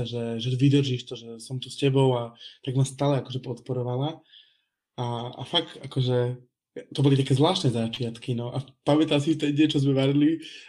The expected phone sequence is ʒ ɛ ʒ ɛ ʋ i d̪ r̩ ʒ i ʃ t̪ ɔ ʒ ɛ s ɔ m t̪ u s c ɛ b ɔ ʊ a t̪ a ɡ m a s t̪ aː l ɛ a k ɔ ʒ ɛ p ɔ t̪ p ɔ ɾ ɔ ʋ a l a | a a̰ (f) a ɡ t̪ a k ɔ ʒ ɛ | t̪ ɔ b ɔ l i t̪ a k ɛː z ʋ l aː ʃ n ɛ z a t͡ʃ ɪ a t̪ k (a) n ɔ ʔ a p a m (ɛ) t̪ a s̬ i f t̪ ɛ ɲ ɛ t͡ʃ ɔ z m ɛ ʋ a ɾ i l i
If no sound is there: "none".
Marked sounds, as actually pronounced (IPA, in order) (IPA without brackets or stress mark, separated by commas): f, i, ɛ